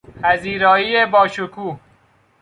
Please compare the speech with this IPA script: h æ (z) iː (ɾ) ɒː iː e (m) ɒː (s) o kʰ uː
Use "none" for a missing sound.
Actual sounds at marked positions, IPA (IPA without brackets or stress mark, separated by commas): z, ɾ, b, ʃ